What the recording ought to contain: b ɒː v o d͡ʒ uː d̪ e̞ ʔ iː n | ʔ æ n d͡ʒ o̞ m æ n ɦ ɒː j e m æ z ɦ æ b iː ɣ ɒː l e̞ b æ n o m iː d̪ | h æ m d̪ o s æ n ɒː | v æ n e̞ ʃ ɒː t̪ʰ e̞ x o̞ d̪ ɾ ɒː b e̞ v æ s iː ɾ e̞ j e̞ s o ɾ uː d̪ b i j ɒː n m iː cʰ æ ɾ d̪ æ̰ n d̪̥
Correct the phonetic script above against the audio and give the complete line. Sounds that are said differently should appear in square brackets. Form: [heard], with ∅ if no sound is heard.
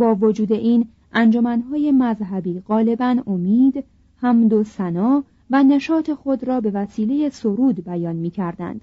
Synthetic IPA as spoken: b ɒː v o d͡ʒ uː d̪ e̞ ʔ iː n | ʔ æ n d͡ʒ o̞ m æ n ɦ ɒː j e m æ z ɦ æ b iː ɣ ɒː l e̞ b æ n o m iː d̪ | h æ m d̪ o s æ n ɒː | v æ n e̞ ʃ ɒː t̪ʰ e̞ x o̞ d̪ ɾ ɒː b e̞ v æ s iː [l] e̞ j e̞ s o ɾ uː d̪ b [æ] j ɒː n m iː cʰ æ ɾ d̪ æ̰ n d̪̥